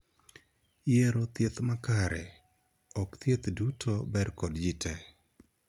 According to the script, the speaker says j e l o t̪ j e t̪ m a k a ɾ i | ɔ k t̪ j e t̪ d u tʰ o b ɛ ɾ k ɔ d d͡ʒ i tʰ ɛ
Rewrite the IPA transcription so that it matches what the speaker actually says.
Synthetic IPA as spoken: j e ɾ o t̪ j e t̪ m a k a ɾ ɛ | ɔ k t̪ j e t̪ d u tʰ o b ɛ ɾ k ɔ d d͡ʒ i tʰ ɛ